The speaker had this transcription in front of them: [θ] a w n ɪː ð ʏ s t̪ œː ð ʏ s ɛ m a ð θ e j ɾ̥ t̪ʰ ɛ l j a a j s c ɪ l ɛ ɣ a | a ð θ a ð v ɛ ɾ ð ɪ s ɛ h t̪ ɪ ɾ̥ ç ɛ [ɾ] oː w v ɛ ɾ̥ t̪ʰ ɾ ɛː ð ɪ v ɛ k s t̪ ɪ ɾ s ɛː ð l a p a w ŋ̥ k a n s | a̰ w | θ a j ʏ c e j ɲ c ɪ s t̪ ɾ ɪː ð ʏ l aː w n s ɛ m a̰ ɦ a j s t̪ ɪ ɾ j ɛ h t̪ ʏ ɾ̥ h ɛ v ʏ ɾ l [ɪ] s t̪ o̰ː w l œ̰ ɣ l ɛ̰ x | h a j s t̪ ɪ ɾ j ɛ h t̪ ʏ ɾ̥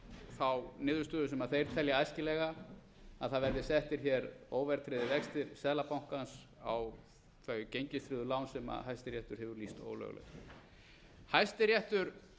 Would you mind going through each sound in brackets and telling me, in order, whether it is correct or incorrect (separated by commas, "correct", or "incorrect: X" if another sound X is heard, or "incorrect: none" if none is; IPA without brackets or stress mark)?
correct, correct, incorrect: i